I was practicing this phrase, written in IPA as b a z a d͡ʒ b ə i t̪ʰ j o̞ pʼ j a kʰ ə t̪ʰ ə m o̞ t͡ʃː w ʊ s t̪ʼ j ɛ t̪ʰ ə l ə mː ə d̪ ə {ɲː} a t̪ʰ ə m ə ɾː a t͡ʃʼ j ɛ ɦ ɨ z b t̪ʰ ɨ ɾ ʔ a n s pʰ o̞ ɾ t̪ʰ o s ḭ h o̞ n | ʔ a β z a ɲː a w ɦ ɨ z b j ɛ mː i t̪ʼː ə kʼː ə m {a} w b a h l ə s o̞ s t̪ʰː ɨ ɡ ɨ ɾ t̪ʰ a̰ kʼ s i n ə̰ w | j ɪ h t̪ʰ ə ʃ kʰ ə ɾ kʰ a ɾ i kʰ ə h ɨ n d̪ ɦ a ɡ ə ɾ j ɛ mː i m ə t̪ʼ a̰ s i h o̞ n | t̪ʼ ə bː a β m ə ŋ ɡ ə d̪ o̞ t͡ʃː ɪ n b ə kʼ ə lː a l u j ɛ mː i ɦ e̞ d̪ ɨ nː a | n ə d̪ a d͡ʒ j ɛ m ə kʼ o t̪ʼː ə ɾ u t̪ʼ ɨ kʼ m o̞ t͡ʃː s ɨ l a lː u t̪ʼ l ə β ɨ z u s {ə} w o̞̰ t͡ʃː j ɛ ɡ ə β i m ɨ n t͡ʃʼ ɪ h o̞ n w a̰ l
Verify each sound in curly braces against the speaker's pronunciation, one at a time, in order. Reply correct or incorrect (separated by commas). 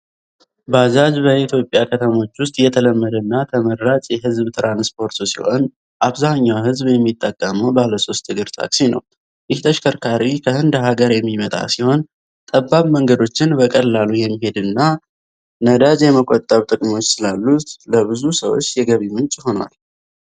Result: incorrect, incorrect, correct